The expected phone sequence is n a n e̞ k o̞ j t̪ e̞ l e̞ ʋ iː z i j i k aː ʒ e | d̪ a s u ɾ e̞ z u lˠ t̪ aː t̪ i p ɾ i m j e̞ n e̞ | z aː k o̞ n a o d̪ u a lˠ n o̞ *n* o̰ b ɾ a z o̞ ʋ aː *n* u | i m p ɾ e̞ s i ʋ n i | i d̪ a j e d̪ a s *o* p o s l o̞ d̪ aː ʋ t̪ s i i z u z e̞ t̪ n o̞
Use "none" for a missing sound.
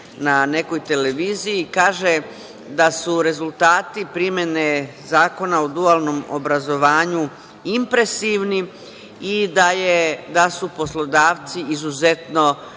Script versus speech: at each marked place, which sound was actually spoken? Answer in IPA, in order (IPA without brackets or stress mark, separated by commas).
m, ɲ, u